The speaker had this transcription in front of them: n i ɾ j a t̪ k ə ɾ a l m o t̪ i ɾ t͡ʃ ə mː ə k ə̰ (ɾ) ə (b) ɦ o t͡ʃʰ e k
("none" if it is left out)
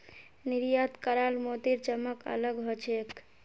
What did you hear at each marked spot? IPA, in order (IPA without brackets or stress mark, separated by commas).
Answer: l, ɡ